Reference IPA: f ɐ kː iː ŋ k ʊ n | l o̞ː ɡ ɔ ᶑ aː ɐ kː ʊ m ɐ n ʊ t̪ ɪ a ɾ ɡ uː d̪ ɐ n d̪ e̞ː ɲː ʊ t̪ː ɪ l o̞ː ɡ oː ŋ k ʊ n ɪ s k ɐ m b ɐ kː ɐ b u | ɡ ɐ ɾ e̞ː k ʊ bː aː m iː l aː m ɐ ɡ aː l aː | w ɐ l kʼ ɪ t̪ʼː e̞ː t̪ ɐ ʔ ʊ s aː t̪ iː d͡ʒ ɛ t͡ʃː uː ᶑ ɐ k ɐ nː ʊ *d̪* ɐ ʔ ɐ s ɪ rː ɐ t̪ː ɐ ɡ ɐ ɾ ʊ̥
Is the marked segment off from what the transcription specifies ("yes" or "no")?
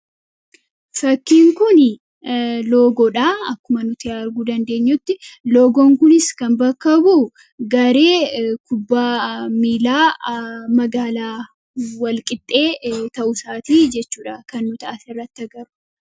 yes